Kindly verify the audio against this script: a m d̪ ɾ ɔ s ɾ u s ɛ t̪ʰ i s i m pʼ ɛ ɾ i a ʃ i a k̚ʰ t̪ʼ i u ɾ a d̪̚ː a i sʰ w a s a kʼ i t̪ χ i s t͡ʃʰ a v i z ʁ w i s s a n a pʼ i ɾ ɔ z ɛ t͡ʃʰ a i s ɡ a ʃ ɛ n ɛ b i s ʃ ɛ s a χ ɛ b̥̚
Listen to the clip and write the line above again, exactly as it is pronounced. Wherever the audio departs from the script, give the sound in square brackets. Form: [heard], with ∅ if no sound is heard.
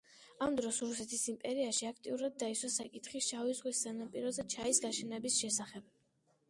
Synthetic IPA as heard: a m d̪ ɾ ɔ s ɾ u s ɛ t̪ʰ i s i m pʼ ɛ ɾ i a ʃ i a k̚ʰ t̪ʼ i u ɾ a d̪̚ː a i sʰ w a s a kʼ i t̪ χ i s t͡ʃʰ a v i z ʁ w i s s a n a pʼ i ɾ ɔ z ɛ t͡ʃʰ a i s ɡ a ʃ ɛ n ɛ b i s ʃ ɛ s a χ ɛ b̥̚